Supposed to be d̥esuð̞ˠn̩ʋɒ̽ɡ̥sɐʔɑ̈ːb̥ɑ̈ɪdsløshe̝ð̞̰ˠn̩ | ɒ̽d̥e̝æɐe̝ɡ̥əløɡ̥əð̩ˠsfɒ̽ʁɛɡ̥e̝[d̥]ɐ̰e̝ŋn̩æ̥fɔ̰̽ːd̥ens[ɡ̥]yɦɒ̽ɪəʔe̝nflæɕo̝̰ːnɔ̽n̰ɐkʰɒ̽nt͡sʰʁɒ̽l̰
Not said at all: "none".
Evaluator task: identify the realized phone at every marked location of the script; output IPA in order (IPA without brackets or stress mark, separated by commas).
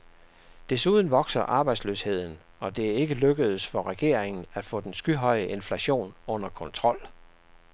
none, ɡ̥